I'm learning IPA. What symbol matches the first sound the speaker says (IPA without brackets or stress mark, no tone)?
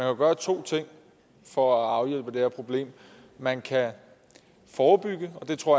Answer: æ